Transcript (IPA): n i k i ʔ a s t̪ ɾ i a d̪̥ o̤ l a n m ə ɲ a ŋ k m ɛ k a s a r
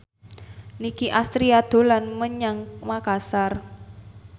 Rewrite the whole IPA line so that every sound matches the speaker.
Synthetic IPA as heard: n i k i ʔ a s t̪ ɾ i a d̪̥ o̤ l a n m ə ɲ a ŋ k m a k a s a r